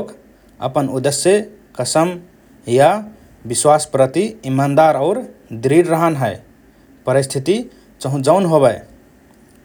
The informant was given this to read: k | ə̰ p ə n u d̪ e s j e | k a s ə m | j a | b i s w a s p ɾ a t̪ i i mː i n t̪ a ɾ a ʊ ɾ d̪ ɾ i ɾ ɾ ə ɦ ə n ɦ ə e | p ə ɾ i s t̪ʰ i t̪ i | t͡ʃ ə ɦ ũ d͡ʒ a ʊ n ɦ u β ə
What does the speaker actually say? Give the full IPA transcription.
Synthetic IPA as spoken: k | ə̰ p ə n u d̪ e s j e | k ə s ə m | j a | b i s w a s p ɾ ə t̪ i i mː a n d̪ a ɾ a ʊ ɾ d̪ ɾ i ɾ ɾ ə ɦ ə n ɦ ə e | p ə ɾ i s t̪ʰ i t̪ i | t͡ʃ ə ɦ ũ d͡ʒ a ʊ n ɦ o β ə